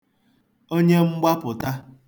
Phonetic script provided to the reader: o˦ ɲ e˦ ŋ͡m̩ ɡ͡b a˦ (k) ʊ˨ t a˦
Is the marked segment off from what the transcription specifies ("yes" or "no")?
yes